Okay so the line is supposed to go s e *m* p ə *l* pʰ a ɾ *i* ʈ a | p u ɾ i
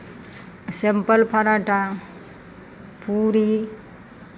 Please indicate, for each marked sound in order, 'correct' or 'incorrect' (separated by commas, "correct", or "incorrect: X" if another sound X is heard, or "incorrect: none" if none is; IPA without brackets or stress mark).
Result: correct, correct, incorrect: a